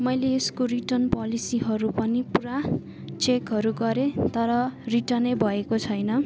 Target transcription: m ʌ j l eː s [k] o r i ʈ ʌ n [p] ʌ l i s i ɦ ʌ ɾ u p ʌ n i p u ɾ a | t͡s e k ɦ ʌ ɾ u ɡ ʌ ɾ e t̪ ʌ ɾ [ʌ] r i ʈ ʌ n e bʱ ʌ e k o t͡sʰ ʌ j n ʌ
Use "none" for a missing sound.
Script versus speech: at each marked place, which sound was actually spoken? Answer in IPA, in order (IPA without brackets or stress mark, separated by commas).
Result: k, p, ʌ